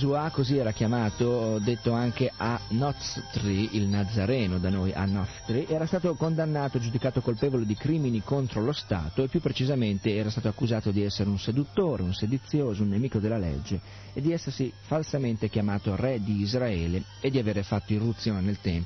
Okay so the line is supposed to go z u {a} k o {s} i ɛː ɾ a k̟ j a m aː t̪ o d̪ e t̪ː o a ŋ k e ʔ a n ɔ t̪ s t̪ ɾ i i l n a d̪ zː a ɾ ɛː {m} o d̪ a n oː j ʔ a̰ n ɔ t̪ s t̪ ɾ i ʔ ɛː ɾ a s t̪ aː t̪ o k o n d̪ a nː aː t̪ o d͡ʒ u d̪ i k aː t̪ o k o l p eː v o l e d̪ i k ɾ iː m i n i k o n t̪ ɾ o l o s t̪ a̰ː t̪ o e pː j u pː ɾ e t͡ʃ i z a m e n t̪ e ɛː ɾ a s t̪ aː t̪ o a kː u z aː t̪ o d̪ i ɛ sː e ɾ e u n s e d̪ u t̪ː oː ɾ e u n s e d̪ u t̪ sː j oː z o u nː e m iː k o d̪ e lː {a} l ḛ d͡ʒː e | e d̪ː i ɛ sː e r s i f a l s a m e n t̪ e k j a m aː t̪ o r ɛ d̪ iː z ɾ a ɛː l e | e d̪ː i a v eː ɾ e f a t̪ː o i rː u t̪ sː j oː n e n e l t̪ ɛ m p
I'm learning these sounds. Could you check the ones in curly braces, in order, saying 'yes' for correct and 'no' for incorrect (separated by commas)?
yes, no, no, yes